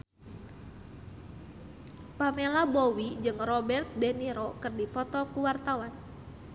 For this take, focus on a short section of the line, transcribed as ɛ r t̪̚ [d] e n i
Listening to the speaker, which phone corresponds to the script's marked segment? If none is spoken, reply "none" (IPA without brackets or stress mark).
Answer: d